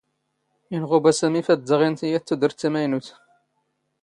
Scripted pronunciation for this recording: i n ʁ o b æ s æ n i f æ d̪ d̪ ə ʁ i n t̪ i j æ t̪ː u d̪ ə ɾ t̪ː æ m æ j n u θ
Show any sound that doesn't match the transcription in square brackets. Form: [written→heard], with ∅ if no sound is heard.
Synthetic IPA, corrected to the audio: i n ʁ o b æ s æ [n→m] i f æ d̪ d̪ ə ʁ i n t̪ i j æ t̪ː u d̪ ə ɾ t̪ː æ m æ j n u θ

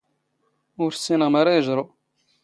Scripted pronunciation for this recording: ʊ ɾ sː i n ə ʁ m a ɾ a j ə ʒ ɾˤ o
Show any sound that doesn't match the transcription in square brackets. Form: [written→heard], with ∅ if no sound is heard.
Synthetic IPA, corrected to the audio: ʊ ɾ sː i n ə ʁ m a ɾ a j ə ʒ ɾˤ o

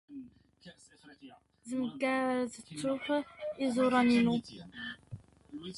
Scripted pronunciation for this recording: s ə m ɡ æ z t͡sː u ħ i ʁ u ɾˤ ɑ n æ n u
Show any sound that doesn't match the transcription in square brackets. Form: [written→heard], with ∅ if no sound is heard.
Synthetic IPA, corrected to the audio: [s→z] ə m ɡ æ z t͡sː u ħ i [ʁ→z] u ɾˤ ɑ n [æ→i] n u

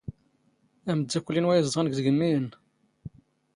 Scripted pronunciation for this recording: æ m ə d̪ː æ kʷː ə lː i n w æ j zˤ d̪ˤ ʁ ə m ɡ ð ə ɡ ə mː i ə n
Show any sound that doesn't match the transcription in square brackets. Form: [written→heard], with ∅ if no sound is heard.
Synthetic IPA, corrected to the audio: æ m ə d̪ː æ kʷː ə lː i n w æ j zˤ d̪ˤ ʁ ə [m→n] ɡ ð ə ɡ ə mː i ə n

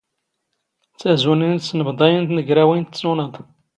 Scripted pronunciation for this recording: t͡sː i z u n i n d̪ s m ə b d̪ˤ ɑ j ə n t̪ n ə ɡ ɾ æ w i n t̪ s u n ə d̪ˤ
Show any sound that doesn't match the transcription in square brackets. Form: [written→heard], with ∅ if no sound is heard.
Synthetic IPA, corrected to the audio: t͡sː [i→æ] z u n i n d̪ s [m→n] ə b d̪ˤ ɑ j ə n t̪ n ə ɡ ɾ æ w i n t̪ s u n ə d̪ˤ

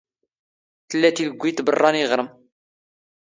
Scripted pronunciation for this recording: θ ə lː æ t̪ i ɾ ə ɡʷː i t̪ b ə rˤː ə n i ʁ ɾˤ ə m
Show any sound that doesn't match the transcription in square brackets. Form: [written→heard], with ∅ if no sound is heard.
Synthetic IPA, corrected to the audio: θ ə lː æ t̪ i [ɾ→l] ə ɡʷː i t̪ b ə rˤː [ə→ɑ] n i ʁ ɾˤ ə m

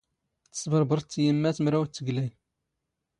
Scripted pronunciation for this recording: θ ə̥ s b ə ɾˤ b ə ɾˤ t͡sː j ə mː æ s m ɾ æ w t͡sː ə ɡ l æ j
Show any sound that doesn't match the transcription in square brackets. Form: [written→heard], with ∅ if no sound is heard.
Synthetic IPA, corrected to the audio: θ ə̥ s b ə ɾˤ b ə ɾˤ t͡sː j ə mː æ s m ɾ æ w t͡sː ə ɡ l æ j

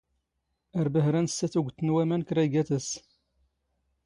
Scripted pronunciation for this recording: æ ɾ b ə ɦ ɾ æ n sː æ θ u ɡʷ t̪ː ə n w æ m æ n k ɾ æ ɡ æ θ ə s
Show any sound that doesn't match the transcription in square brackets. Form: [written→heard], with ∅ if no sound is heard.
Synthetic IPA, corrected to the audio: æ ɾ b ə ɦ ɾ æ n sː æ θ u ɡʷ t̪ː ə n w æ m æ n k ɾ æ ɡ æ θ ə s

